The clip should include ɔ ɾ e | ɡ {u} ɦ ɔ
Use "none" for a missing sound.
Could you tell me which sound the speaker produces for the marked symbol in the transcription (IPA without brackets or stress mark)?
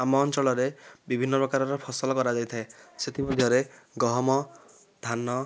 ɔ